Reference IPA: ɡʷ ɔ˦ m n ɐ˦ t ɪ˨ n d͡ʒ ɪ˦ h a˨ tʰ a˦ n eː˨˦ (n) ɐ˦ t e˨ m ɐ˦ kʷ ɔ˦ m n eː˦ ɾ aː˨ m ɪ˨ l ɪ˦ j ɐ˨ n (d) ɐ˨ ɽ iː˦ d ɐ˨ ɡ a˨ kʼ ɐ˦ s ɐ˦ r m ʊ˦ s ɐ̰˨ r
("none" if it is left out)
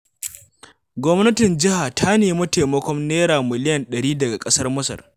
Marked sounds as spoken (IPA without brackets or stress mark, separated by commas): m, ɗ